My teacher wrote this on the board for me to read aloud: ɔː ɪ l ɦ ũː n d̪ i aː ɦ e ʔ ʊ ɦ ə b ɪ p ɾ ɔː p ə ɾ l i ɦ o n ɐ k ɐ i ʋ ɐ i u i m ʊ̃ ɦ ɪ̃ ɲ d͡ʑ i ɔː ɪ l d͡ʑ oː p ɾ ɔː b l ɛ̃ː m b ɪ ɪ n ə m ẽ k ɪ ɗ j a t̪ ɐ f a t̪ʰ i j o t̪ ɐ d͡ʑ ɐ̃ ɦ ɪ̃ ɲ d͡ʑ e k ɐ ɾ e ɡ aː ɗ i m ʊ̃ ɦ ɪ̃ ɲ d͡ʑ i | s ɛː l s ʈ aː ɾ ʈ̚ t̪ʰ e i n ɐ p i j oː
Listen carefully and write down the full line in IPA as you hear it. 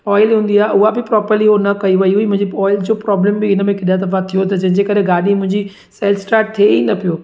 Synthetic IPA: ɔː ɪ l ɦ ũː n d̪ i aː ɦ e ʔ ʊ ɦ a b ɪ p ɾ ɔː p ə ɾ l i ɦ o n ɐ k ɐ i ʋ ɐ i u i m ʊ̃ ɦ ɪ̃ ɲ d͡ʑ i ɔː ɪ l d͡ʑ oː p ɾ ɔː b l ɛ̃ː m b ɪ ɪ n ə m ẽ k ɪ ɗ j a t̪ ɐ f a t̪ʰ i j o t̪ ɐ d͡ʑ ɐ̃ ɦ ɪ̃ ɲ d͡ʑ e k ɐ ɾ e ɡ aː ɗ i m ʊ̃ ɦ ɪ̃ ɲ d͡ʑ i | s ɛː l s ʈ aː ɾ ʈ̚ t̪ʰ e i n ɐ p i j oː